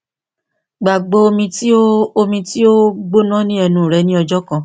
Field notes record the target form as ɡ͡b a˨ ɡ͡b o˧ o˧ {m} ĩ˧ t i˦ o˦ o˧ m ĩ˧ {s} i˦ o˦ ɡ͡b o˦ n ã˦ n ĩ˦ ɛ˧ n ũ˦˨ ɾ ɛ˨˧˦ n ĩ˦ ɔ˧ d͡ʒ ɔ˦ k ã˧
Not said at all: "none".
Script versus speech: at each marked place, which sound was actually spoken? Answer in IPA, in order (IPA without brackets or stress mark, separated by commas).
m, t